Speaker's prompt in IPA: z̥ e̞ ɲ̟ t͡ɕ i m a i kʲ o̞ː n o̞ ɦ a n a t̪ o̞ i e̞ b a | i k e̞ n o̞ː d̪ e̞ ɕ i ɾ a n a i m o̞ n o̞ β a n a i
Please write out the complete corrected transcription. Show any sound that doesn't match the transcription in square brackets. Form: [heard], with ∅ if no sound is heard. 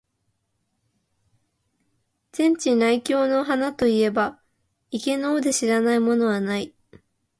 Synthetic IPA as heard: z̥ [ẽ̞] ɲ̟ t͡ɕ i [n] a i kʲ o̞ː n o̞ ɦ a n a t̪ o̞ i e̞ b a | i k e̞ n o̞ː d̪ e̞ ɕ i ɾ a n a i m o̞ n o̞ β a n a i